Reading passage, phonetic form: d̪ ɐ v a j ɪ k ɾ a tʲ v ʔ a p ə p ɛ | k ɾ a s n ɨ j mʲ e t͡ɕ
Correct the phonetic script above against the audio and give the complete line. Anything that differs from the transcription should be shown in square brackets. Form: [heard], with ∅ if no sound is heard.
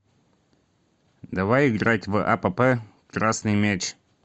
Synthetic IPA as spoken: d̪ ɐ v a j ɪ [ɡ] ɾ a tʲ v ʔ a p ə p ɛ | k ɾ a s n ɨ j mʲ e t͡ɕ